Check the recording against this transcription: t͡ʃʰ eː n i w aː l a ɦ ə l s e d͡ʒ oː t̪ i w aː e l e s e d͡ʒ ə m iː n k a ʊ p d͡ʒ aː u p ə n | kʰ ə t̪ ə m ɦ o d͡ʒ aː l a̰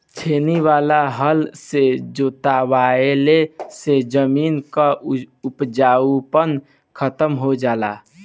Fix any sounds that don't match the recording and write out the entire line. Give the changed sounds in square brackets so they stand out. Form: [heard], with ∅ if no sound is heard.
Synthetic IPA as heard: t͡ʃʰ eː n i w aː l a ɦ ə l s e d͡ʒ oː t̪ [a] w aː e l e s e d͡ʒ ə m iː n k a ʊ p d͡ʒ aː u p ə n | kʰ ə t̪ ə m ɦ o d͡ʒ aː l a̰

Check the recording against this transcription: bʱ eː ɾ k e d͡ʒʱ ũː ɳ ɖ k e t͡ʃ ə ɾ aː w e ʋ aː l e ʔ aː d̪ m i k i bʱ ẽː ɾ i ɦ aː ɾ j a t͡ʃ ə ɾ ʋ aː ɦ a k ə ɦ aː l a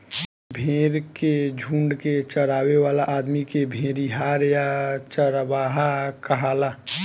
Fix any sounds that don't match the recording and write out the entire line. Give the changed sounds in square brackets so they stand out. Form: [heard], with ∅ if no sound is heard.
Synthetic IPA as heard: bʱ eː ɾ k e d͡ʒʱ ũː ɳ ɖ k e t͡ʃ ə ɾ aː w e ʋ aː l [a] ʔ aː d̪ m i k [e] bʱ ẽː ɾ i ɦ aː ɾ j a t͡ʃ ə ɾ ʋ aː ɦ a k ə ɦ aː l a

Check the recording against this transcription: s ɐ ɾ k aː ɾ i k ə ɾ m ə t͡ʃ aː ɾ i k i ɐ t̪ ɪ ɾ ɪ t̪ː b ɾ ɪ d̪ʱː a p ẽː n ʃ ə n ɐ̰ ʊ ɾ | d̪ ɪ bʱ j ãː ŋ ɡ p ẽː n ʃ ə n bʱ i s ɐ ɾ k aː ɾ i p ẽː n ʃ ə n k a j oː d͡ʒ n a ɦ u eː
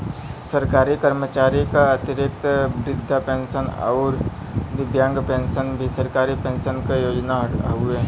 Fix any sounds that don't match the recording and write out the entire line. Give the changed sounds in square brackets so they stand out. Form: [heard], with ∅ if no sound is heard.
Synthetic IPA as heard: s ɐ ɾ k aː ɾ i k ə ɾ m ə t͡ʃ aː ɾ i k [a] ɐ t̪ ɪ ɾ ɪ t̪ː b ɾ ɪ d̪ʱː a p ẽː n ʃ ə n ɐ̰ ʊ ɾ | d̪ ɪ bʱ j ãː ŋ ɡ p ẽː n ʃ ə n bʱ i s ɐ ɾ k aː ɾ i p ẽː n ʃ ə n k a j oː d͡ʒ n a ɦ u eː

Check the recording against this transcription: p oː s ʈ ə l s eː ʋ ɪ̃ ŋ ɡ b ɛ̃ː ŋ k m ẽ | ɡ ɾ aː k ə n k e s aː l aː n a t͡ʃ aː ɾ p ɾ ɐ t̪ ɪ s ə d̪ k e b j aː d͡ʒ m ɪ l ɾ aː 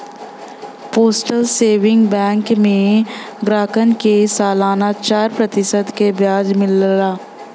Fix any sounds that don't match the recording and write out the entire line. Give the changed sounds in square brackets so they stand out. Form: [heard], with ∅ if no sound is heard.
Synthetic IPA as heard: p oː s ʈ ə l s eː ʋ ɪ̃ ŋ ɡ b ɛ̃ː ŋ k m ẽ | ɡ ɾ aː k ə n k e s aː l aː n a t͡ʃ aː ɾ p ɾ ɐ t̪ ɪ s ə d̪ k e b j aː d͡ʒ m ɪ l ɾ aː

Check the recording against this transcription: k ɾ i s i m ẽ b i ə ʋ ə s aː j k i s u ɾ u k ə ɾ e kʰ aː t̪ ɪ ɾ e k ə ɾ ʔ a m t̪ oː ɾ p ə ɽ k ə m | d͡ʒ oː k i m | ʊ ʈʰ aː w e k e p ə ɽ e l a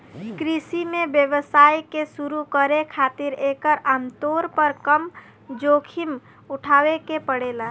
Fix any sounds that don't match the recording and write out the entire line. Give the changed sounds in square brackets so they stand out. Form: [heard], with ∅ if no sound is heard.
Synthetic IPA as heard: k ɾ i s i m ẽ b [j] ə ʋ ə s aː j k [e] s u ɾ u k ə ɾ e kʰ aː t̪ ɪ ɾ e k ə ɾ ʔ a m t̪ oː ɾ p ə [ɾ] k ə m | d͡ʒ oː [kʰ] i m | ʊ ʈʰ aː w e k e p ə ɽ e l a

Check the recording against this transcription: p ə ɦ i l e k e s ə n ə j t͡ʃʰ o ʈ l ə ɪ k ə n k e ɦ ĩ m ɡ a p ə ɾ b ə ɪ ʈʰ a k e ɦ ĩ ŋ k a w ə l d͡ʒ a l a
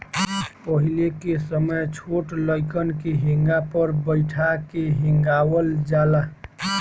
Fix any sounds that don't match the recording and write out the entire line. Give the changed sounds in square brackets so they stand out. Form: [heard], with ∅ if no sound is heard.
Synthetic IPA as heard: p ə ɦ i l e k e s ə [m] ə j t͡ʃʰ o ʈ l ə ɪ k ə n k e ɦ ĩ [ŋ] ɡ a p ə ɾ b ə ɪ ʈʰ a k e ɦ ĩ ŋ [ɡ] a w ə l d͡ʒ a l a

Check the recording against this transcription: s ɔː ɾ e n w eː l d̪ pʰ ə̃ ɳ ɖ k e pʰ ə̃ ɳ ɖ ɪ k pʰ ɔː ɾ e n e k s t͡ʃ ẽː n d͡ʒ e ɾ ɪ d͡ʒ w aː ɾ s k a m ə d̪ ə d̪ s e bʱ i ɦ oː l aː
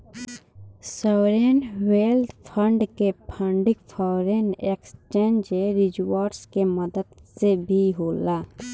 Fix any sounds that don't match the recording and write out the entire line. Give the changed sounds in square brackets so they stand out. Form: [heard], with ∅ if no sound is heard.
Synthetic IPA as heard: s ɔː ɾ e n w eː l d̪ pʰ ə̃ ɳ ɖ k e pʰ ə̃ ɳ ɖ ɪ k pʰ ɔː ɾ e n e k s t͡ʃ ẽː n d͡ʒ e ɾ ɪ d͡ʒ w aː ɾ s k [e] m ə d̪ ə d̪ s e bʱ i ɦ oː l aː

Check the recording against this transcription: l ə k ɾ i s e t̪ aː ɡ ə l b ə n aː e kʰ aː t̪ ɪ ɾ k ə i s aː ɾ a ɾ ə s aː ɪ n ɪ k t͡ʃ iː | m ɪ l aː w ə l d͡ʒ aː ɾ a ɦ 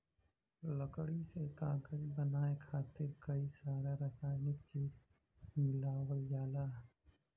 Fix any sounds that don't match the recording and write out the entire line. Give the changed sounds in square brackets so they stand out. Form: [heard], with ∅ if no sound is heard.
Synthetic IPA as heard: l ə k [ɽ] i s e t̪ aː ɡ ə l b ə n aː e kʰ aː t̪ ɪ ɾ k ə i s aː ɾ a ɾ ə s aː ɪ n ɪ k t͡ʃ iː | m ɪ l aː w ə l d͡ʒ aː [l] a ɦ

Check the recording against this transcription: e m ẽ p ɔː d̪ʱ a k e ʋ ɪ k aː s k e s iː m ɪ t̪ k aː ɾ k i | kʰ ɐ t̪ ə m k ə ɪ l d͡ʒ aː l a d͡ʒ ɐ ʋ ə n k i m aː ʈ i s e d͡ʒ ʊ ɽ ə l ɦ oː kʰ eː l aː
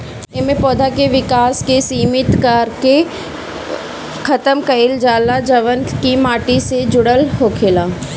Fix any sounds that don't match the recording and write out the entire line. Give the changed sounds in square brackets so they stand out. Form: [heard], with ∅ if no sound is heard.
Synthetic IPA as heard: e m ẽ p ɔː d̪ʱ a k e ʋ ɪ k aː s k e s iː m ɪ t̪ k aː ɾ k [e] | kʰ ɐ t̪ ə m k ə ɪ l d͡ʒ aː l a d͡ʒ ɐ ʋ ə n k i m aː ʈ i s e d͡ʒ ʊ ɽ ə l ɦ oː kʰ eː l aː

